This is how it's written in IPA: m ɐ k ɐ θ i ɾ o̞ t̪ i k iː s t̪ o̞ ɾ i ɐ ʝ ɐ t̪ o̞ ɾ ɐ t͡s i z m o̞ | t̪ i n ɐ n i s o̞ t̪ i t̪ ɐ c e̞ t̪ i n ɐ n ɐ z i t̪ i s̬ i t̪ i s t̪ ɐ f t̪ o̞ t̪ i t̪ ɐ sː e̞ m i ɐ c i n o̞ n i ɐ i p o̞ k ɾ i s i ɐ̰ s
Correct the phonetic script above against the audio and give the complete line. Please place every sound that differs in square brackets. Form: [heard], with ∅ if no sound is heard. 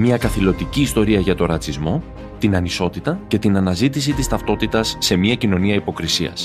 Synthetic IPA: m ɐ k ɐ θ i [l] o̞ t̪ i [c] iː s t̪ o̞ ɾ i ɐ ʝ ɐ t̪ o̞ ɾ ɐ t͡s i z m o̞ | t̪ i n ɐ n i s o̞ t̪ i t̪ ɐ c e̞ t̪ i n ɐ n ɐ z i t̪ i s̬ i t̪ i s t̪ ɐ f t̪ o̞ t̪ i t̪ ɐ sː e̞ m i ɐ c i n o̞ n i ɐ i p o̞ k ɾ i s i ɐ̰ s